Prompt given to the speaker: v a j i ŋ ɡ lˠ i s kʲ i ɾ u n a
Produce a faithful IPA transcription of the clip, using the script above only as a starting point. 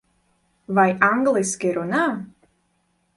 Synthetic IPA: v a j a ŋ ɡ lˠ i s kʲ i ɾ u n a